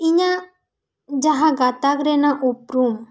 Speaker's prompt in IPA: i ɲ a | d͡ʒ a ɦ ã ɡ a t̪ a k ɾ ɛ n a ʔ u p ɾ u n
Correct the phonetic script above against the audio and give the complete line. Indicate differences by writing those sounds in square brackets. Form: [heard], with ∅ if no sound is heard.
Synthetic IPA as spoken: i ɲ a | d͡ʒ a ɦ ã ɡ a t̪ a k ɾ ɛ n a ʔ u p ɾ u [m]